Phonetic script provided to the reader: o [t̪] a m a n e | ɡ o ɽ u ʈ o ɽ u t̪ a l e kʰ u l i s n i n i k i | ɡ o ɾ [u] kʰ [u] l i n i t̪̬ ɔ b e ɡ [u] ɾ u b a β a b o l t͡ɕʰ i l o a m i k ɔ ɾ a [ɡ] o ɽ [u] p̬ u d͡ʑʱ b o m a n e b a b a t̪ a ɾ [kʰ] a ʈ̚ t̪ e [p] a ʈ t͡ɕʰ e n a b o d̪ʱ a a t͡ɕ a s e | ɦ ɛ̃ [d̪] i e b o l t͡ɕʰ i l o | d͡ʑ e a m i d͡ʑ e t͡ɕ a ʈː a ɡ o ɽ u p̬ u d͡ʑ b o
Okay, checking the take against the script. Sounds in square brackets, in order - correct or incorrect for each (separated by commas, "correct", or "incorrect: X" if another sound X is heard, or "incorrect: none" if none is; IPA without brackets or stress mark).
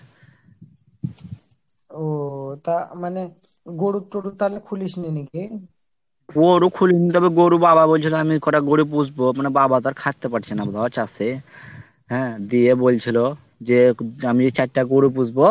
correct, correct, correct, incorrect: o, correct, correct, correct, correct, correct